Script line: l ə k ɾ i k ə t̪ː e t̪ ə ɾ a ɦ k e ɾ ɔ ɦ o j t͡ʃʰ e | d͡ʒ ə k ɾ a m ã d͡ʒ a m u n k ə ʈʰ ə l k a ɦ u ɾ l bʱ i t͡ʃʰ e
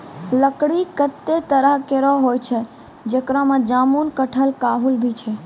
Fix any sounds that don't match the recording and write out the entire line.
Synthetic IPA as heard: l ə k ɽ i k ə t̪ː e t̪ ə ɾ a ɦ k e ɾ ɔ ɦ o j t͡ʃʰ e | d͡ʒ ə k ɾ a m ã d͡ʒ a m u n k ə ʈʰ ə l k a ɦ u l bʱ i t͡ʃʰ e